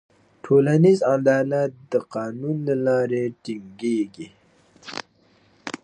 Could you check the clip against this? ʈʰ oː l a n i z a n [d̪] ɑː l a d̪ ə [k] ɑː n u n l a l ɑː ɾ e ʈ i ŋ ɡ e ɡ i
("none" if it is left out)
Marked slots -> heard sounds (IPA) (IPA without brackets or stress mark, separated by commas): d̪, q